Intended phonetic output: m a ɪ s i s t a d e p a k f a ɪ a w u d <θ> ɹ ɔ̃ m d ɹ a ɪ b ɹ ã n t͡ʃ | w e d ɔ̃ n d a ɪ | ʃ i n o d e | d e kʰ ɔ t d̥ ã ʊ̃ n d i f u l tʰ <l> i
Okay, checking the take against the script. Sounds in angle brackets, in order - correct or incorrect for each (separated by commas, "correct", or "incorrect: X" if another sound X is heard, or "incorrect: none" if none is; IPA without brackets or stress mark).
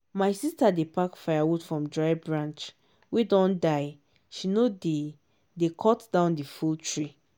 incorrect: f, incorrect: ɹ